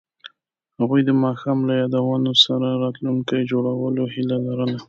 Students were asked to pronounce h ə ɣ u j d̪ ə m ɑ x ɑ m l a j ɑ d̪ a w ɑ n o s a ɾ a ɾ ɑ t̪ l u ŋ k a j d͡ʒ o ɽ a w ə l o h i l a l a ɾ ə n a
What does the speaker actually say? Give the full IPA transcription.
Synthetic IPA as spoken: h a ɣ u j d̪ ə m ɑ x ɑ m l a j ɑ d̪ a w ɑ n o s a ɾ a ɾ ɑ t̪ l u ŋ k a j d͡ʒ o ɽ a w ə l o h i l a l a ɾ ə n a